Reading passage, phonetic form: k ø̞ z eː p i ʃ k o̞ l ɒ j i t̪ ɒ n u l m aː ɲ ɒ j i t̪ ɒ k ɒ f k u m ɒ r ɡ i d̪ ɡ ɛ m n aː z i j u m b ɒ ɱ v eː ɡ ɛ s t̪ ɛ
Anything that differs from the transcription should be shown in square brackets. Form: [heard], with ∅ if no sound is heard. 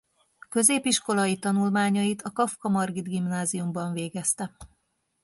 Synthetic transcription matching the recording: k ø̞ z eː p i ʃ k o̞ l ɒ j i t̪ ɒ n u l m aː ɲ ɒ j i t̪ ɒ k ɒ f k [ɒ] m ɒ r ɡ i d̪ ɡ [i] m n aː z i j u m b ɒ ɱ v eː ɡ ɛ s t̪ ɛ